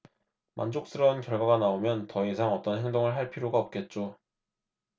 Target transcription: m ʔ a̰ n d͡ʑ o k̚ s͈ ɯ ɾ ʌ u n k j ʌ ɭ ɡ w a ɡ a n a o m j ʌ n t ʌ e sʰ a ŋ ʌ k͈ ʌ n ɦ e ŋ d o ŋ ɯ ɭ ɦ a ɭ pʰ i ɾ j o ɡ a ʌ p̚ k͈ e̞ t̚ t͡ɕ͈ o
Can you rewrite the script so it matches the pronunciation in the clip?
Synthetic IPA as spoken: m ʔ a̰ n d͡ʑ o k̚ s͈ ɯ ɾ ʌ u n k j ʌ ɭ ɡ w a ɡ a n a o m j ʌ n t ʌ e sʰ a ŋ ʌ t͈ ʌ n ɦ e ŋ d o ŋ ɯ ɭ ɦ a ɭ pʰ i ɾ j o ɡ a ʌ p̚ k͈ e̞ t̚ t͡ɕ͈ o